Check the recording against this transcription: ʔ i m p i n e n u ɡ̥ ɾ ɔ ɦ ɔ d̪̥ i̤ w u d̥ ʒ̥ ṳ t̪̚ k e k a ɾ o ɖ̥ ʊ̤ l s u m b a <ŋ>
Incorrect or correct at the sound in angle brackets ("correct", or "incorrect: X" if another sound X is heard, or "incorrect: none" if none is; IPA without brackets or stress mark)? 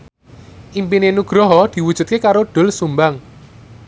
correct